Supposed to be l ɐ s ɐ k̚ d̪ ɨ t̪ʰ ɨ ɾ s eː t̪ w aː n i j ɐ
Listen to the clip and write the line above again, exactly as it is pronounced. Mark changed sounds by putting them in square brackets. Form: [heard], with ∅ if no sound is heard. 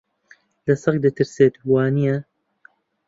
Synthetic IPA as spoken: l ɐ s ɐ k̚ d̪ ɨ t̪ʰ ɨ ɾ s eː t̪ w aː n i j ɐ